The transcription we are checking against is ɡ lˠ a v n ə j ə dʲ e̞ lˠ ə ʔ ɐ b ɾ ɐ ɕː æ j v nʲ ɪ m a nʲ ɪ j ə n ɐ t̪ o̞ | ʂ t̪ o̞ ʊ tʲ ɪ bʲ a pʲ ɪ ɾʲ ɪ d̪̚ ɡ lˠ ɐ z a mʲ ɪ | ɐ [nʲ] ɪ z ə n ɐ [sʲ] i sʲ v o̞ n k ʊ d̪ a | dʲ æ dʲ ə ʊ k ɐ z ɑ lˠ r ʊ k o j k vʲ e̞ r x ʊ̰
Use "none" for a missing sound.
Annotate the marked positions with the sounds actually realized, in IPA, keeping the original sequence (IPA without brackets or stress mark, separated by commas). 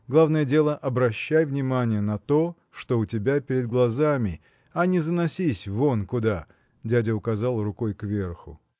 nʲ, sʲ